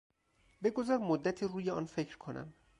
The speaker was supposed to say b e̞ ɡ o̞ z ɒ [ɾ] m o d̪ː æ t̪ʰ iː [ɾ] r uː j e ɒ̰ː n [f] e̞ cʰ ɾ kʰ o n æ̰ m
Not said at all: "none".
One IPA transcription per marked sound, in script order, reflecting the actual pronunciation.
ɾ, none, f

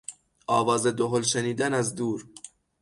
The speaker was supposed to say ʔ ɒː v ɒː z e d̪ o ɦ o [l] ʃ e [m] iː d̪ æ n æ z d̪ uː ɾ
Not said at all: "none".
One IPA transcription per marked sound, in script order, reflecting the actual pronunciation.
l, n

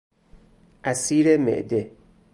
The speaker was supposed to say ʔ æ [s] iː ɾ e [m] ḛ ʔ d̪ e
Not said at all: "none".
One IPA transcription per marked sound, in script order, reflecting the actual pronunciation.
s, m

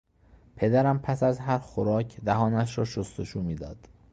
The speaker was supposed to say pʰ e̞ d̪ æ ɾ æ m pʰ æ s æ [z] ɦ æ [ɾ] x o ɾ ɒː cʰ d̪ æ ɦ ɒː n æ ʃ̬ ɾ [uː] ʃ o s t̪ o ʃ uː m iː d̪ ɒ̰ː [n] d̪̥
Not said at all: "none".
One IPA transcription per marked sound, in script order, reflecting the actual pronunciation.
z, ɾ, ɒː, none

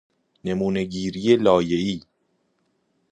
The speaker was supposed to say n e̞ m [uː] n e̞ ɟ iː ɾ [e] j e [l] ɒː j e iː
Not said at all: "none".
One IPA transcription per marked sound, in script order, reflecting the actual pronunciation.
uː, i, l

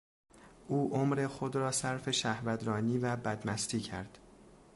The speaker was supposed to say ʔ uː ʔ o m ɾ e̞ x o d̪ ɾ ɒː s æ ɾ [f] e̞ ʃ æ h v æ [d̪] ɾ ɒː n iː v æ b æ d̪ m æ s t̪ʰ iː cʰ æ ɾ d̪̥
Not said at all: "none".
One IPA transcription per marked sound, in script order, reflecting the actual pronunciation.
f, d̪

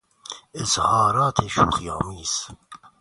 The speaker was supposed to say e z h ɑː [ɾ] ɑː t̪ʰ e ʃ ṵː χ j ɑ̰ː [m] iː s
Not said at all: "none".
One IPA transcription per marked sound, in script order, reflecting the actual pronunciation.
ɾ, m

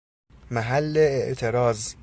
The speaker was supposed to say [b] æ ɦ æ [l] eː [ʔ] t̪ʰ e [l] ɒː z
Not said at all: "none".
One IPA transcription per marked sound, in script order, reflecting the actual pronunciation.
m, lː, ʔ, ɾ

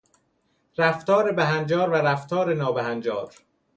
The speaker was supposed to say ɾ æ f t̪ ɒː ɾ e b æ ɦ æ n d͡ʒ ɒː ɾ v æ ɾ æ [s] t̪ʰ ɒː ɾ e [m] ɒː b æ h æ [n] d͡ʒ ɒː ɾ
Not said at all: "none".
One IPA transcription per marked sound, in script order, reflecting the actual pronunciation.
f, n, n

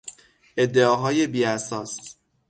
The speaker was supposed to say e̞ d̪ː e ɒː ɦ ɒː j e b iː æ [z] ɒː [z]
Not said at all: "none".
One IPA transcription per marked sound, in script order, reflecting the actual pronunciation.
s, s

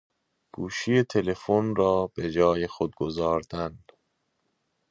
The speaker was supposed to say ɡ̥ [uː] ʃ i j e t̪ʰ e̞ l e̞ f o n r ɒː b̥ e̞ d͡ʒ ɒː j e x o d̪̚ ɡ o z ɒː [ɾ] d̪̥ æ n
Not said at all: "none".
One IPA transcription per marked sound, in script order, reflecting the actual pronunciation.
uː, ɾ

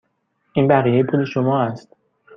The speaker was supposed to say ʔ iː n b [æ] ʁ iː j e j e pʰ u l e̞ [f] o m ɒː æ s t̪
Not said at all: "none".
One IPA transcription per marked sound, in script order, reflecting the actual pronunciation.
æ, ʃ

